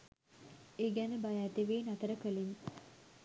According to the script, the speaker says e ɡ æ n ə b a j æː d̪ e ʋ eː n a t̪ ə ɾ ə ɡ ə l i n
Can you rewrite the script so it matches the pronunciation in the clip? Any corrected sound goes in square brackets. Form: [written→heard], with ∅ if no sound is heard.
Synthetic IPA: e ɡ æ n ə b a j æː [d̪→t̪] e ʋ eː n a t̪ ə ɾ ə [ɡ→k] ə l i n